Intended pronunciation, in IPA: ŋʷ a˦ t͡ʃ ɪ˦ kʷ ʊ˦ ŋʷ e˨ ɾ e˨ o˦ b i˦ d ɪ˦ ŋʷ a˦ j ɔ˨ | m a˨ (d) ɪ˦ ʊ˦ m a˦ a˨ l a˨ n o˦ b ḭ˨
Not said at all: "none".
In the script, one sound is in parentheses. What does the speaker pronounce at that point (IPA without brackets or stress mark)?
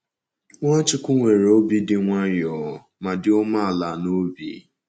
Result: d